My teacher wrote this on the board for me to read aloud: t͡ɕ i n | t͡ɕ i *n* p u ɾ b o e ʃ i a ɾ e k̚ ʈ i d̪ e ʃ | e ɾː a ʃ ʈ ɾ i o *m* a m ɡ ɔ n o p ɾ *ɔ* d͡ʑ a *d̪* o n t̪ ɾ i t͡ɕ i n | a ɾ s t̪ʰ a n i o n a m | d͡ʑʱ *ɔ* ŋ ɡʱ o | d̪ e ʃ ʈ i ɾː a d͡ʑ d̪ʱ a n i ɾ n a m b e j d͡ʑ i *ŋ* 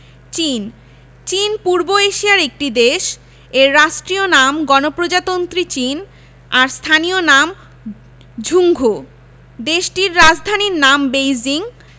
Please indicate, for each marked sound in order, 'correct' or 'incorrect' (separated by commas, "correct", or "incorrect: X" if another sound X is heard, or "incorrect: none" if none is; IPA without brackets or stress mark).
correct, incorrect: n, incorrect: o, incorrect: t̪, incorrect: u, correct